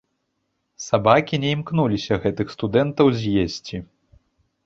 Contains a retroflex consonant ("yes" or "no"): no